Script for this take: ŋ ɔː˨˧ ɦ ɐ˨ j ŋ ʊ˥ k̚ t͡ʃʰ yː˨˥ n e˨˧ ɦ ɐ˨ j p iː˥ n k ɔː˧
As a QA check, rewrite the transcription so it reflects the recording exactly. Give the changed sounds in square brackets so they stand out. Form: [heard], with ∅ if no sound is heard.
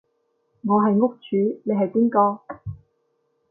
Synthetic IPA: ŋ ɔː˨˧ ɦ ɐ˨ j ŋ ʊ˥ k̚ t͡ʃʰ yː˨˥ n e˨˧ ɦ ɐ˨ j p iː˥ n k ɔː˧

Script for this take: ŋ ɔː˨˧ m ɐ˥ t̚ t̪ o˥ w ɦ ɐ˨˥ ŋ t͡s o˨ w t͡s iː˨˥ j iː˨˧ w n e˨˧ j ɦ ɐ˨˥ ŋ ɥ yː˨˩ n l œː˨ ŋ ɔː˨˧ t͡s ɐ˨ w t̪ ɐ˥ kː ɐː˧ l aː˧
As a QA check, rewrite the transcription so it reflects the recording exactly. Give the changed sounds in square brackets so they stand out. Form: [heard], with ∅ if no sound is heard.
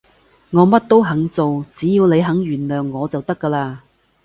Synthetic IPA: ŋ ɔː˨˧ m ɐ˥ t̚ t̪ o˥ w ɦ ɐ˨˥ ŋ t͡s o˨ w t͡s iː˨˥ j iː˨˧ w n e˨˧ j ɦ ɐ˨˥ ŋ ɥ yː˨˩ n l œː˨ [ŋː] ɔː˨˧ t͡s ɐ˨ w t̪ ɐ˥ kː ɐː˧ l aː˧

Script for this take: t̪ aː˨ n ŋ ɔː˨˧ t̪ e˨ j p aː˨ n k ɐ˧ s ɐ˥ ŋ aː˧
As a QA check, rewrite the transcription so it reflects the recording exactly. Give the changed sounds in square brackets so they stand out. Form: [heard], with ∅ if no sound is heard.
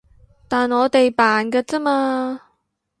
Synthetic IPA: t̪ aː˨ n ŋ ɔː˨˧ t̪ e˨ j p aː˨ n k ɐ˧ [t͡s] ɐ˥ [m] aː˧

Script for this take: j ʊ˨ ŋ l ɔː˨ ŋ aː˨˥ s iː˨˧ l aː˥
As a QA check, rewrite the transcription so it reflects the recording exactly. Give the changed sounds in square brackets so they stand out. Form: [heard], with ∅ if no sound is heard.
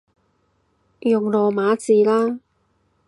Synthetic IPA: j ʊ˨ ŋ l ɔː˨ [m] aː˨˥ [t͡s] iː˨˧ l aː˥

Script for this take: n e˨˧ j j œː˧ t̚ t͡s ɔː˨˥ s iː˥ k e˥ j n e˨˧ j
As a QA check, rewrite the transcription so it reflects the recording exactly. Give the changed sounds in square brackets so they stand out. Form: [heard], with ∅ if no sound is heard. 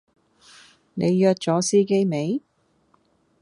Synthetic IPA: n e˨˧ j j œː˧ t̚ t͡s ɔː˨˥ s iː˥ k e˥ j [m] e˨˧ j

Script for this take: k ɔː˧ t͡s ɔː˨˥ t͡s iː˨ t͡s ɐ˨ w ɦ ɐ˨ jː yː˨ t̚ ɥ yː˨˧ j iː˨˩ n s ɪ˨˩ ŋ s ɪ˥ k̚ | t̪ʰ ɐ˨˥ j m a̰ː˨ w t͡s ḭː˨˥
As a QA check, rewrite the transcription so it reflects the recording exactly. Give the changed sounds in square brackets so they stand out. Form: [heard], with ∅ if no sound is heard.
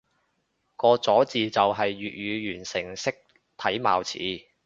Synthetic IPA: k ɔː˧ t͡s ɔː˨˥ t͡s iː˨ t͡s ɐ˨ w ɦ ɐ˨ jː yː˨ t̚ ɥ yː˨˧ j [yː˨˩] n s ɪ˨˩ ŋ s ɪ˥ k̚ | t̪ʰ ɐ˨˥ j m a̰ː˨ w [t͡sʰ] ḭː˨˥

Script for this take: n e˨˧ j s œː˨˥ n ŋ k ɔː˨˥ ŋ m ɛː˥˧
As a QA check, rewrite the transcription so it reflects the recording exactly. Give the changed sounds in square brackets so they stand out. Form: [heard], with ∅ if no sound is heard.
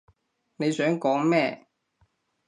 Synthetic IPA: n e˨˧ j s œː˨˥ [∅] ŋ k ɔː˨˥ ŋ m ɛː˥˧

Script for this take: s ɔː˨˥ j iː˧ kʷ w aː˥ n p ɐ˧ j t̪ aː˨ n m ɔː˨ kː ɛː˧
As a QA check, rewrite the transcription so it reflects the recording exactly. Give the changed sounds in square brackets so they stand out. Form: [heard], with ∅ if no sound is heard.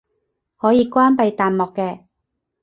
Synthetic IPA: [h] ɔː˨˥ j iː˧ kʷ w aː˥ n p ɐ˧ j t̪ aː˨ n m ɔː˨ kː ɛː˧

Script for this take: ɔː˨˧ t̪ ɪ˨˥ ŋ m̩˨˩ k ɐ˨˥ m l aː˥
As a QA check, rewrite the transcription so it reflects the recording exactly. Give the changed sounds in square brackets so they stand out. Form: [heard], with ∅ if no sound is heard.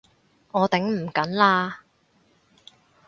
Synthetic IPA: ɔː˨˧ t̪ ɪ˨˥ ŋ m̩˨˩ k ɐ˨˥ [n] l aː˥

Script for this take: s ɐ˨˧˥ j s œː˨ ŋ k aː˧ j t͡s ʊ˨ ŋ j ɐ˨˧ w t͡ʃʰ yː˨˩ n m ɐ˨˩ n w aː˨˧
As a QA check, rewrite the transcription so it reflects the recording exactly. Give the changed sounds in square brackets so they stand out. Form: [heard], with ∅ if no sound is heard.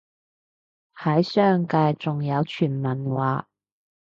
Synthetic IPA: [h] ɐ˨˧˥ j s [œː˥] ŋ k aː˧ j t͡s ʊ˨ ŋ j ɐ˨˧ w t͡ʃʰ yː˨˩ n m ɐ˨˩ n w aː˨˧

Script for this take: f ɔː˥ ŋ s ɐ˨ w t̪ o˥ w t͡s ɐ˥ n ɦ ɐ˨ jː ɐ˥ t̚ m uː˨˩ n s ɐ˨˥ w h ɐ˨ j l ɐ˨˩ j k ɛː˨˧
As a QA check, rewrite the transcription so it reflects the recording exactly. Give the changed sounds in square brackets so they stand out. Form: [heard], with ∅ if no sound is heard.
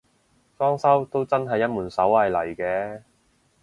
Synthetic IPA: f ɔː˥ ŋ s [ɐ˥] w t̪ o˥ w t͡s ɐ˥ n ɦ ɐ˨ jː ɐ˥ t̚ m uː˨˩ n s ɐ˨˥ w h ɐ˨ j l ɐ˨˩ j k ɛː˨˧

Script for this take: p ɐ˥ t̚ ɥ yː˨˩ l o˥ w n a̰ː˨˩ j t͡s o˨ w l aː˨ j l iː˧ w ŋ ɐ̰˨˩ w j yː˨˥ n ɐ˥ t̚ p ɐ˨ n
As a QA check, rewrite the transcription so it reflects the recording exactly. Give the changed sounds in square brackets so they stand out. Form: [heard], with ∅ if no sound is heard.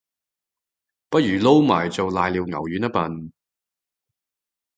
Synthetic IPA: p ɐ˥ t̚ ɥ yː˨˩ l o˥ w [m] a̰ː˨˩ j t͡s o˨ w l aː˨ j l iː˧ w ŋ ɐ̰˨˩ w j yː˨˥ n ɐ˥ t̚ p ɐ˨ n

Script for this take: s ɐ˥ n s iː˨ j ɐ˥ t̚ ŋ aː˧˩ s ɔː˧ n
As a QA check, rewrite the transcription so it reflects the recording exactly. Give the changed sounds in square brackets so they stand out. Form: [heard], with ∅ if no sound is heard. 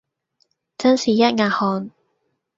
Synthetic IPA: [t͡s] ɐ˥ n s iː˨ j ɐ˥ t̚ ŋ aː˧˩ [h] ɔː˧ n

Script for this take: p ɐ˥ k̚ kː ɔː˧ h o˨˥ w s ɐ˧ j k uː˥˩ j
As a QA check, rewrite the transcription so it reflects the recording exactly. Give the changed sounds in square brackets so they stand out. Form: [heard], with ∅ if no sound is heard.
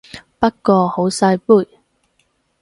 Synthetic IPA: p ɐ˥ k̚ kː ɔː˧ h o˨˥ w s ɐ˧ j [p] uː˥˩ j

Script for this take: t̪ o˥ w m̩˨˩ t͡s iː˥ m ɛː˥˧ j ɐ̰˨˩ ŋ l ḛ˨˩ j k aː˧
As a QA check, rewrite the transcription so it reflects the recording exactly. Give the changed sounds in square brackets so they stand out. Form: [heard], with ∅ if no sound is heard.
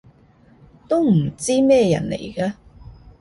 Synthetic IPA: t̪ o˥ w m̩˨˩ t͡s iː˥ m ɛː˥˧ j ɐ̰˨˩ [n] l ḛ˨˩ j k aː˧

